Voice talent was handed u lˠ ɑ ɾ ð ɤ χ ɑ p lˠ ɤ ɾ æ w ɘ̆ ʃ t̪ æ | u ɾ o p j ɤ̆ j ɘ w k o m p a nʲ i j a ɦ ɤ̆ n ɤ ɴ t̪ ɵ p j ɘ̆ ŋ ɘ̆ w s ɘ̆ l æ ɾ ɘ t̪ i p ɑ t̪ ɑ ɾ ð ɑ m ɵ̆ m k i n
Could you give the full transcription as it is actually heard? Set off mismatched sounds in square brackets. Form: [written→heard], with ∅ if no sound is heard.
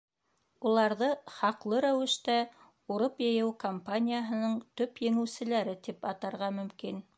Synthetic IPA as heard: u lˠ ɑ ɾ ð ɤ χ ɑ [p→q] lˠ ɤ ɾ æ w ɘ̆ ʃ t̪ æ | u ɾ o p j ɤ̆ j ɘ w k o m p a nʲ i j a ɦ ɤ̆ n ɤ ɴ t̪ ɵ p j ɘ̆ ŋ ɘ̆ w s ɘ̆ l æ ɾ ɘ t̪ i p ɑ t̪ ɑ ɾ [ð→ʁ] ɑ m ɵ̆ m k i n